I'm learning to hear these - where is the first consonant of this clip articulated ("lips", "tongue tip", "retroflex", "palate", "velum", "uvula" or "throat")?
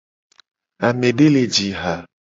lips